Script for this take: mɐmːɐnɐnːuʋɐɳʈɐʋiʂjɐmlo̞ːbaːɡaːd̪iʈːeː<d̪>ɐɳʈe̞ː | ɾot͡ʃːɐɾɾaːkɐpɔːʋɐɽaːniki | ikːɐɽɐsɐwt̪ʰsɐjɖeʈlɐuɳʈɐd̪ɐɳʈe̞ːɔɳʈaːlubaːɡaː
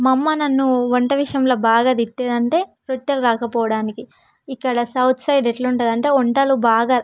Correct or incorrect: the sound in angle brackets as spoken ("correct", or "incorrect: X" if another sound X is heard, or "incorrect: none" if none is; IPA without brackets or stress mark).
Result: correct